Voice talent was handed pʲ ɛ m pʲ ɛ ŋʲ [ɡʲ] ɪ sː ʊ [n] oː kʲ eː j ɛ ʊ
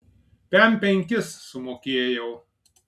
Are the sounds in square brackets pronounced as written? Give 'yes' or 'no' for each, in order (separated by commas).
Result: no, no